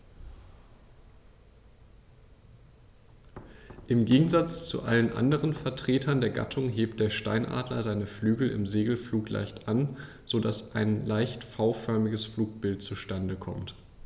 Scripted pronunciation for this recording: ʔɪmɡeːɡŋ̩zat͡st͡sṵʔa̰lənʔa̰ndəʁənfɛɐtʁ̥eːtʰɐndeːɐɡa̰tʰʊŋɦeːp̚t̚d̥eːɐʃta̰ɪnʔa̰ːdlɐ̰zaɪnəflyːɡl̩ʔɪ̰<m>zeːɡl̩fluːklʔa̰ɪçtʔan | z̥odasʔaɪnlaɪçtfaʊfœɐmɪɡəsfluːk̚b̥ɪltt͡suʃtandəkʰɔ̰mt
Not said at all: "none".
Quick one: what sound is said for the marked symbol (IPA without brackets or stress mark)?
m